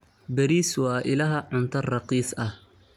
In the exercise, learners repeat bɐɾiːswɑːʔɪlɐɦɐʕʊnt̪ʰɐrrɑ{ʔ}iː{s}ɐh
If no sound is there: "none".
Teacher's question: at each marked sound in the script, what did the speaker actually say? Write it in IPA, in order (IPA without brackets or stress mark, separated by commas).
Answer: q, s